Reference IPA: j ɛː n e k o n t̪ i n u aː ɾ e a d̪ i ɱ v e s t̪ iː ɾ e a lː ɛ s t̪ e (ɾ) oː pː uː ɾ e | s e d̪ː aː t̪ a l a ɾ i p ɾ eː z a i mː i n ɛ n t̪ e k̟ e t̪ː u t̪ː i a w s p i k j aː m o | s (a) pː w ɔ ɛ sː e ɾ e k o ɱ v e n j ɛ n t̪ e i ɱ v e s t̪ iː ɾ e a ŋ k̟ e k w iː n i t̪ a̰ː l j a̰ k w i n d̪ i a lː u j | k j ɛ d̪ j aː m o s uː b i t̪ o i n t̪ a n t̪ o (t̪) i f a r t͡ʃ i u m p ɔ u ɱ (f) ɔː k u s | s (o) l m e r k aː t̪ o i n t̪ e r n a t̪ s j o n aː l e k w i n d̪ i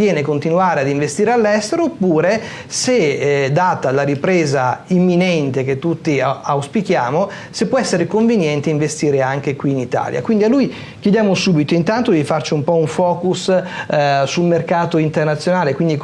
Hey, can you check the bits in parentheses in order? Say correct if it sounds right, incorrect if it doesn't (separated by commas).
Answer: correct, incorrect, incorrect, correct, incorrect